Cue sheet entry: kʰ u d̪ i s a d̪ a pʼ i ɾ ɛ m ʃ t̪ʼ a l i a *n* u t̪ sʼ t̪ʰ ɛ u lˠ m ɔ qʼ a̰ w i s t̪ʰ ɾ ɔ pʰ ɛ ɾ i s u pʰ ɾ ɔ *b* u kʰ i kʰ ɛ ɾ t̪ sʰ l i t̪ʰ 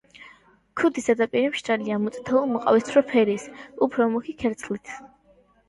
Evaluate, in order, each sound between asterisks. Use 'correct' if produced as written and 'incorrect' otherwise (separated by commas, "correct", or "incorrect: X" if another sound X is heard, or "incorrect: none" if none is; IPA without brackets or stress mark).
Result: incorrect: m, incorrect: m